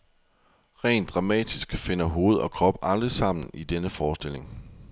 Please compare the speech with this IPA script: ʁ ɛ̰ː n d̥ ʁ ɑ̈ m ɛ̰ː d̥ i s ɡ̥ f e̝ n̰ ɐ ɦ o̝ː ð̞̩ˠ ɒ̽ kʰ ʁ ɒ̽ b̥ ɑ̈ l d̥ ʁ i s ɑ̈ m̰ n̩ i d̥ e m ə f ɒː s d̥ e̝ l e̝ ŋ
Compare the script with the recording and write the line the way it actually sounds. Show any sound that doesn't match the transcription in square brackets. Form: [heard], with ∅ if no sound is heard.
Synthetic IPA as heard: ʁ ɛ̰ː n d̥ ʁ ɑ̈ m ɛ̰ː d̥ i s ɡ̥ f e̝ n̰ ɐ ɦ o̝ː ð̞̩ˠ ɒ̽ kʰ ʁ ɒ̽ b̥ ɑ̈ l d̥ ʁ i s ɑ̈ m̰ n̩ i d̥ e [n] ə f ɒː s d̥ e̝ l e̝ ŋ